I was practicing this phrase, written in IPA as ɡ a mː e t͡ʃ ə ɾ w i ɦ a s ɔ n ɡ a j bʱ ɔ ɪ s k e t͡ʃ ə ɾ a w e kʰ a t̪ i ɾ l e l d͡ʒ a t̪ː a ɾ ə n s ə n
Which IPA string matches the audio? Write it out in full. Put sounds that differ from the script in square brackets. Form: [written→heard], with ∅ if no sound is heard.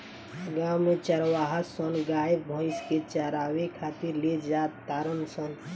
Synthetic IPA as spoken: ɡ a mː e t͡ʃ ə ɾ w [i→a] ɦ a s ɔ n ɡ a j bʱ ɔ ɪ s k e t͡ʃ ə ɾ a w e kʰ a t̪ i ɾ l e [l→∅] d͡ʒ a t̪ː a ɾ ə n s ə n